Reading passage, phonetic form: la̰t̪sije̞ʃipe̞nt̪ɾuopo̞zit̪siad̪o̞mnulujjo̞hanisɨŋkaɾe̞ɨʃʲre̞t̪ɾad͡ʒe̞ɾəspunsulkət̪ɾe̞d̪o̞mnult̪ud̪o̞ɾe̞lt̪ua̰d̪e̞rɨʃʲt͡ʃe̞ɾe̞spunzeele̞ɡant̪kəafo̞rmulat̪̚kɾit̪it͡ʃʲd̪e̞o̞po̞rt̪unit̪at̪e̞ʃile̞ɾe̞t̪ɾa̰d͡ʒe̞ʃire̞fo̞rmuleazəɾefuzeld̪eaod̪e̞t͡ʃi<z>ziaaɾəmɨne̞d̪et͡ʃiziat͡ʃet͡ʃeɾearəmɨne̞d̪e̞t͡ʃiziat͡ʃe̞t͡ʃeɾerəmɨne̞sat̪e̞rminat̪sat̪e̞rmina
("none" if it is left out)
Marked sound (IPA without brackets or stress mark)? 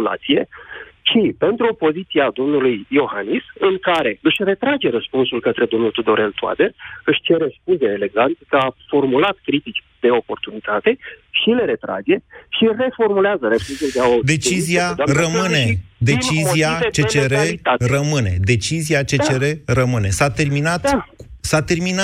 z